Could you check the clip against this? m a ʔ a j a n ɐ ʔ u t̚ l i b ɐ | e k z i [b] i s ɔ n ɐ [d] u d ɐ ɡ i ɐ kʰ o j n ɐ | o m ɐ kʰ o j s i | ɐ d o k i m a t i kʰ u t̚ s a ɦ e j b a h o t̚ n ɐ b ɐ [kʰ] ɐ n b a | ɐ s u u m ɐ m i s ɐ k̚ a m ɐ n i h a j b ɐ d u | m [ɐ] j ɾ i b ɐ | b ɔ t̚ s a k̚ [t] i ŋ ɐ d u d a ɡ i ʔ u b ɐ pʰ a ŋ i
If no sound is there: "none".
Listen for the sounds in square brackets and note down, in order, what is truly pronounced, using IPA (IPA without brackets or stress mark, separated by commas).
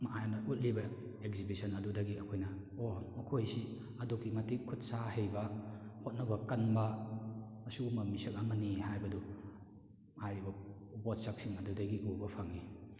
b, d, k, a, s